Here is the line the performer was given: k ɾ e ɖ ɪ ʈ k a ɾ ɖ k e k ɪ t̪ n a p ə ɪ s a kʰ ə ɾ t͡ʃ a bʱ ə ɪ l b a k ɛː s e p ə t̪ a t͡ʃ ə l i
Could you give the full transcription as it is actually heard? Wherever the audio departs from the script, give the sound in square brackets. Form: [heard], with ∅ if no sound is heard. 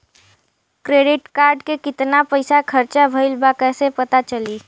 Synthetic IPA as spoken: k ɾ e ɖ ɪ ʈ k a ɾ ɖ k e k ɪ t̪ n a p ə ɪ s a kʰ ə ɾ t͡ʃ a bʱ ə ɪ l b a k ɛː s e p ə t̪ a t͡ʃ ə l i